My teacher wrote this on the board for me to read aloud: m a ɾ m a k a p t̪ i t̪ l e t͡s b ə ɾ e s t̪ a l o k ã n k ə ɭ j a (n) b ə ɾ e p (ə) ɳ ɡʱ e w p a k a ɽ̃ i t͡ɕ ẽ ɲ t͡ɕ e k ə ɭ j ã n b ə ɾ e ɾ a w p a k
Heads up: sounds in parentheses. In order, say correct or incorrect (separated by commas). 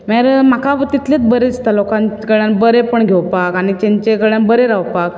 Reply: correct, correct